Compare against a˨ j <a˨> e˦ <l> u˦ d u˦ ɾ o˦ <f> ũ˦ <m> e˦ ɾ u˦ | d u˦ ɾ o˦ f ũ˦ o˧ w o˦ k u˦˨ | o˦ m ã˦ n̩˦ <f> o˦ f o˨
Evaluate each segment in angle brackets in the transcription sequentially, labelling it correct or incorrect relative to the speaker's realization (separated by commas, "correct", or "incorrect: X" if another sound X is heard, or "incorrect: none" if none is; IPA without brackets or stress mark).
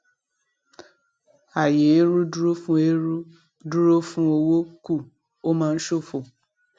incorrect: e˨, incorrect: ɾ, correct, incorrect: none, incorrect: ʃ